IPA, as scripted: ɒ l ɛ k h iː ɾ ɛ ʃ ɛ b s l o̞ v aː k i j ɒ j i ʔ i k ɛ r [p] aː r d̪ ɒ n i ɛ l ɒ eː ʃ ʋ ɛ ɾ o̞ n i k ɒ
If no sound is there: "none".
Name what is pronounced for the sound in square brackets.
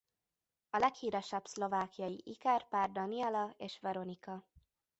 p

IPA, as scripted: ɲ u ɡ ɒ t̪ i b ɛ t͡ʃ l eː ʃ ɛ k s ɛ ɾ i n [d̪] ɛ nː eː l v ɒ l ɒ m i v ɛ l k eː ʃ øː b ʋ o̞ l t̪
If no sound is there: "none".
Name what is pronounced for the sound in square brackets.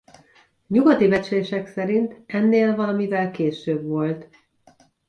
t̪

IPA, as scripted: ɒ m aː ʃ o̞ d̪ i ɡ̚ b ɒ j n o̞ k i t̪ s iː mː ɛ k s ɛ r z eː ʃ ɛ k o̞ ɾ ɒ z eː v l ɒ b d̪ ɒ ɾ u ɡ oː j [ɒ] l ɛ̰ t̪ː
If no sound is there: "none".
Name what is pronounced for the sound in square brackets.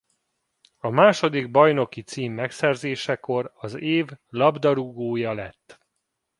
ɒ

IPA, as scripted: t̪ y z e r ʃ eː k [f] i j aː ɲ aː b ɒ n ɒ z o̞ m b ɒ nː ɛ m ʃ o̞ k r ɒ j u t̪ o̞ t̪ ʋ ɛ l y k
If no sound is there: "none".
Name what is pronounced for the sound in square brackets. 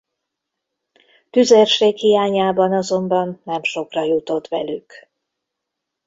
h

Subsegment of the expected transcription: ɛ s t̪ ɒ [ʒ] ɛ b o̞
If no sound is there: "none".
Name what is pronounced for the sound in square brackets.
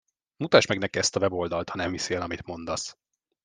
v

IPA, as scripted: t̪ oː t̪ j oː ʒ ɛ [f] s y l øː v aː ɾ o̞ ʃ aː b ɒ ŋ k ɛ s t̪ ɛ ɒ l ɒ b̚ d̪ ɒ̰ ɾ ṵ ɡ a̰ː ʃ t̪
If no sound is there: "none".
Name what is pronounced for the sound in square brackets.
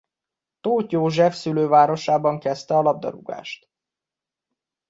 f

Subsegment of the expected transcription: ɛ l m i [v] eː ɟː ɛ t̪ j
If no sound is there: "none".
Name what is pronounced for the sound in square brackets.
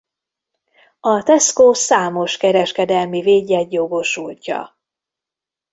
v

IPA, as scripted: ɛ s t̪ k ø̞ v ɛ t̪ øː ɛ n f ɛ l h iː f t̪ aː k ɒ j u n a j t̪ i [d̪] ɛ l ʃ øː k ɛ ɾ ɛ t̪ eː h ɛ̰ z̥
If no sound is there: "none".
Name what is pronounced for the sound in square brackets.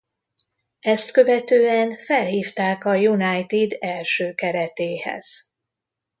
d̪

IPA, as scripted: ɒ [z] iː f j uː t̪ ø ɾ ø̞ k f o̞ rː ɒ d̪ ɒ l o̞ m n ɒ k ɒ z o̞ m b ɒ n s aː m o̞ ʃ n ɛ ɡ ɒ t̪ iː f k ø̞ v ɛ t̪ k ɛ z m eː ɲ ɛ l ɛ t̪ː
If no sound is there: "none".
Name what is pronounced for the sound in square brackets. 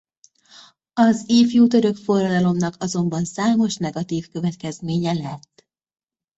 z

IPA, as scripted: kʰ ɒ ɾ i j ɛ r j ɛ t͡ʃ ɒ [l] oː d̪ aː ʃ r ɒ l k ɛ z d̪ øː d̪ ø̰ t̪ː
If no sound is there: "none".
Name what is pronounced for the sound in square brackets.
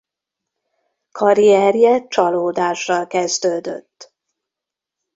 l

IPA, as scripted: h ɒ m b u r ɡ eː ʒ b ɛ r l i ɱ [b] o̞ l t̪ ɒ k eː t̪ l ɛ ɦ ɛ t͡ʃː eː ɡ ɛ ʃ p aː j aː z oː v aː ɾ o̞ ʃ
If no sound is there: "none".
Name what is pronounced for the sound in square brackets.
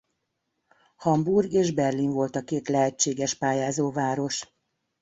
v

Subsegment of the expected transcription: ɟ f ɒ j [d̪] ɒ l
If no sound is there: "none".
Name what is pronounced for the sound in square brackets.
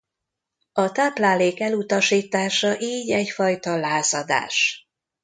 t̪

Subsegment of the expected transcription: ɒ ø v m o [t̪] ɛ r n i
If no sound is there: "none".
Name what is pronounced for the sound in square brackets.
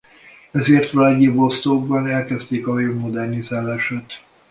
d̪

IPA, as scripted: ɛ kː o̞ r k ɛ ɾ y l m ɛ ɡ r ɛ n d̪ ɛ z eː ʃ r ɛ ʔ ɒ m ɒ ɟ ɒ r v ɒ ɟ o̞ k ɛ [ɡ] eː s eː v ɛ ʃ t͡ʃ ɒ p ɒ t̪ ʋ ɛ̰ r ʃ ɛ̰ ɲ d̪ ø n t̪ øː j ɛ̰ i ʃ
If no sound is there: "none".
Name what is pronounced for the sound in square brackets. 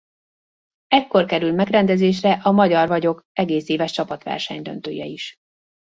ɡ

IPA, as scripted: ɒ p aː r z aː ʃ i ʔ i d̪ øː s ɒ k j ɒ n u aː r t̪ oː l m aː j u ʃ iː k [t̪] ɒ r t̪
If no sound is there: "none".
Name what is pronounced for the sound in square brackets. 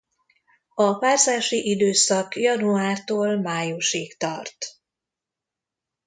t̪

